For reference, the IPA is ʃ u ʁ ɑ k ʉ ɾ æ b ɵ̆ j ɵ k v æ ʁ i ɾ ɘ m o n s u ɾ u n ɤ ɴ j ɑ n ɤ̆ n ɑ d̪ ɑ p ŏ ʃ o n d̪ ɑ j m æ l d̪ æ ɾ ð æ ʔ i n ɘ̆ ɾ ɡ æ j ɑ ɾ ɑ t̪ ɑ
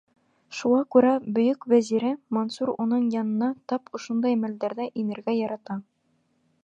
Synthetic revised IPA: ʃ u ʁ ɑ k ʉ ɾ æ b ɵ̆ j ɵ k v æ z i ɾ ɘ m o n s u ɾ u n ɤ ɴ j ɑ n ɤ̆ n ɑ t̪ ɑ p ŏ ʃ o n d̪ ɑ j m æ l d̪ æ ɾ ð æ ʔ i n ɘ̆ ɾ ɡ æ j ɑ ɾ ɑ t̪ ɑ